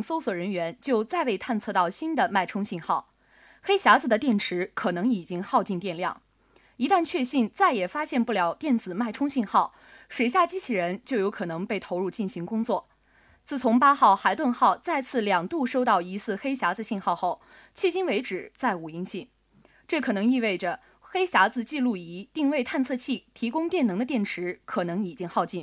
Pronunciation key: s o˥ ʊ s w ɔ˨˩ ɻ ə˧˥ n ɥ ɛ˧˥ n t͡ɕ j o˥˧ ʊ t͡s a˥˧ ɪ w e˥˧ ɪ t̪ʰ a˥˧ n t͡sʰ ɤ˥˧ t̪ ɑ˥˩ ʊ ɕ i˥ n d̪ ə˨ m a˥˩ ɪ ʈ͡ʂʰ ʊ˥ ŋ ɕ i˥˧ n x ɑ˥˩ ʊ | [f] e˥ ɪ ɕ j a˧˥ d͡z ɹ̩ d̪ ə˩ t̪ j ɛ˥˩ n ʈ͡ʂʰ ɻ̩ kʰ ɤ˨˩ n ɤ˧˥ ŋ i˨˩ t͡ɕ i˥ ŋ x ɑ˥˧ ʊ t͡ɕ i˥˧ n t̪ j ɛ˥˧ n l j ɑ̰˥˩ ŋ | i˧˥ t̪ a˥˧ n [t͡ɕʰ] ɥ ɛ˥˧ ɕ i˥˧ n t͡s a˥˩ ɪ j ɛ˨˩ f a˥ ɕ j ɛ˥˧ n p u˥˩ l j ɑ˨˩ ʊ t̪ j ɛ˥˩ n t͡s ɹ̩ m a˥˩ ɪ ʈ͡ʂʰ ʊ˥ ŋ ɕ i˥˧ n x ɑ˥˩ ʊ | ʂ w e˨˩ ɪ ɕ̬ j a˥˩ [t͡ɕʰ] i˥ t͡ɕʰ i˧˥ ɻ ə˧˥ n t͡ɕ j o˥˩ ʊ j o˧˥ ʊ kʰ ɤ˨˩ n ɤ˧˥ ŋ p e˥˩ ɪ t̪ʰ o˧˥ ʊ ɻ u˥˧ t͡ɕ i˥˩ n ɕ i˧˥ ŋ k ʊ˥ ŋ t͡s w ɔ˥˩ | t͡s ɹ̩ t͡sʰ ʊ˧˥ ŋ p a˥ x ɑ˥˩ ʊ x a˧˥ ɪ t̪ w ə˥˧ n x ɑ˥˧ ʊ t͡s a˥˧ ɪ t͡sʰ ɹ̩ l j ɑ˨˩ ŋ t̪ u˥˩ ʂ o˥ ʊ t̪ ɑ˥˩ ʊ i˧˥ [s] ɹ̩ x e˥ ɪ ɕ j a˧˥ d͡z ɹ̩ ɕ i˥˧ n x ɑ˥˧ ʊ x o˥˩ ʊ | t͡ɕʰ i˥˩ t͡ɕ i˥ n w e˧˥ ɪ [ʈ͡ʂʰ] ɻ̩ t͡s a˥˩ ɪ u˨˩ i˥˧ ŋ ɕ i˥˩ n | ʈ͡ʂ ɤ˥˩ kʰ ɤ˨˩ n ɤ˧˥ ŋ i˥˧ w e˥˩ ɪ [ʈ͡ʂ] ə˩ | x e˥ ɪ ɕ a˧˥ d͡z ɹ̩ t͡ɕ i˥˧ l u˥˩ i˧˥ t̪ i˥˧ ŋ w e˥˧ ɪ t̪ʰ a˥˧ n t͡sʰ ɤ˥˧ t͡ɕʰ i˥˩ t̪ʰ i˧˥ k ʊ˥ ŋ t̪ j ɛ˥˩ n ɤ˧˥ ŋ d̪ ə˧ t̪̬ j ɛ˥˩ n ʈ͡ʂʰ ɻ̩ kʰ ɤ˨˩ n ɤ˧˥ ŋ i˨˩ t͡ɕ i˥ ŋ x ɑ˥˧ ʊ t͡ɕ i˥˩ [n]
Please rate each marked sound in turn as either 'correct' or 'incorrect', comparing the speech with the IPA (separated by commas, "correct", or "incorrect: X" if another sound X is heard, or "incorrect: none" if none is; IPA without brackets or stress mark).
incorrect: x, correct, incorrect: t͡ɕ, correct, incorrect: ʈ͡ʂ, correct, correct